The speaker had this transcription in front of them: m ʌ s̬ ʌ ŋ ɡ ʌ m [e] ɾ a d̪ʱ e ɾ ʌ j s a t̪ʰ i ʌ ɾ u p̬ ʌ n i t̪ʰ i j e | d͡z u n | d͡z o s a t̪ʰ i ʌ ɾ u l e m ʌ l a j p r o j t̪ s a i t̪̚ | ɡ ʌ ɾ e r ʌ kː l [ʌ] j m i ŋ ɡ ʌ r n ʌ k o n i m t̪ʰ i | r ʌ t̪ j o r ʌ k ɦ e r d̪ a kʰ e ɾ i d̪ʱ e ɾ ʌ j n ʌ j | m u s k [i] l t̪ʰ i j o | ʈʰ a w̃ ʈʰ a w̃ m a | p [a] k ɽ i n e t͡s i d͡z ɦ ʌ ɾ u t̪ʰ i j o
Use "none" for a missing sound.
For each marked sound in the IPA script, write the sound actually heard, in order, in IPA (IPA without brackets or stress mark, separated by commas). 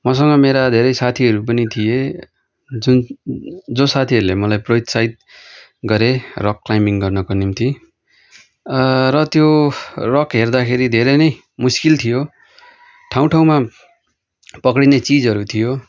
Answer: e, a, i, ʌ